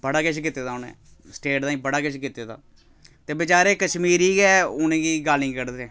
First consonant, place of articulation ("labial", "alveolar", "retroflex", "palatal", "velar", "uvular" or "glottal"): labial